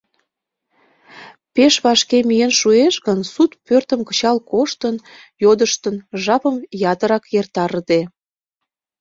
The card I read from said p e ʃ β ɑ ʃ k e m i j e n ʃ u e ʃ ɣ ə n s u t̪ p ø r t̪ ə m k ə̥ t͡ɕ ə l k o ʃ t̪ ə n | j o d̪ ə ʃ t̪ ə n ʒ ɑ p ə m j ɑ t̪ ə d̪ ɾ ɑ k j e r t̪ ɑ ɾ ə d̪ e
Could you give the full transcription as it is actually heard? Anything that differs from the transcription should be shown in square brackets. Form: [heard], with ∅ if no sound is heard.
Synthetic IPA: p e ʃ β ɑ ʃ k e m i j e n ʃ u e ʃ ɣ ə n s u t̪ p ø r t̪ ə m k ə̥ t͡ɕ [ɑ] l k o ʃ t̪ ə n | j o d̪ ə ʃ t̪ ə n ʒ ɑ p ə m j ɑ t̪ ə [∅] ɾ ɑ k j e r t̪ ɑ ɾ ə d̪ e